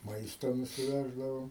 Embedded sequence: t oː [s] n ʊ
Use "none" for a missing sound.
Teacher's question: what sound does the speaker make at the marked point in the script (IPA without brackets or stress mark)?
none